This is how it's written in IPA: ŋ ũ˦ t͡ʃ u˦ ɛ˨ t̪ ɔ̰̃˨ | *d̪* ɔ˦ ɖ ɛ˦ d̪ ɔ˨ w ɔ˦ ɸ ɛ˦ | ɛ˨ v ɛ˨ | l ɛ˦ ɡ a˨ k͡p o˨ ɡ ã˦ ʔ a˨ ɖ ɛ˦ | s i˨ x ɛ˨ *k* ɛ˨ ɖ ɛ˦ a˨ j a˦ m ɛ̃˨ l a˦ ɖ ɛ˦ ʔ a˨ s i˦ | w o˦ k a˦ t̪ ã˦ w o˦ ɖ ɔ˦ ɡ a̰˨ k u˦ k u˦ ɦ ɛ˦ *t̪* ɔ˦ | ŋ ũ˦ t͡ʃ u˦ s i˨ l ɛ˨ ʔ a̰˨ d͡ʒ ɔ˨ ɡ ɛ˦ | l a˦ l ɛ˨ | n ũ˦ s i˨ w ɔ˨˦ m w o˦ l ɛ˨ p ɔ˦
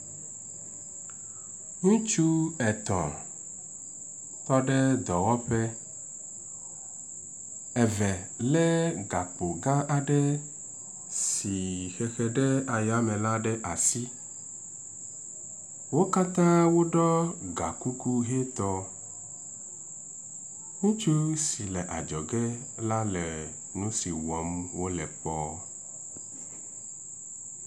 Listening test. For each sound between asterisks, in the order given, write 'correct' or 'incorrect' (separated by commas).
incorrect, incorrect, correct